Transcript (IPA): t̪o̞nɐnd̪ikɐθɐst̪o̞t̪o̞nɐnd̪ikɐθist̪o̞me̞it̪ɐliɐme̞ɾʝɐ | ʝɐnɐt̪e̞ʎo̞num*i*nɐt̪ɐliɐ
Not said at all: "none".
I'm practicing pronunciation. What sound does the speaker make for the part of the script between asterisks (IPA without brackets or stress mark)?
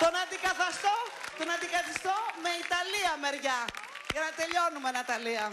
e